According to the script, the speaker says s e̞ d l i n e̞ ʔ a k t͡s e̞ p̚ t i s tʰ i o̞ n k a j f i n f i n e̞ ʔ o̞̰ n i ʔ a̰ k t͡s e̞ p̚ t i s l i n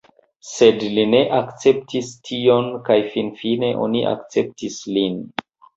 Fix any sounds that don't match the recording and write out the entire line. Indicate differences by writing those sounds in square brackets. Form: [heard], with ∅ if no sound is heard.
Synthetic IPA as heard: s e̞ d l i n e̞ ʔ a k t͡s e̞ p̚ t i s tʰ i o̞ n k a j f i n f i n e̞ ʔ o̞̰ n i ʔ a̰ k t͡s e̞ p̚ t i s l i n